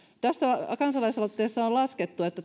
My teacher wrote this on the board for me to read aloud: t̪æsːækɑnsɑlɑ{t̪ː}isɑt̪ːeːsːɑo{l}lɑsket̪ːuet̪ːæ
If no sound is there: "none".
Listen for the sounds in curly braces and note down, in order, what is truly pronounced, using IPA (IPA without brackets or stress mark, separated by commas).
none, l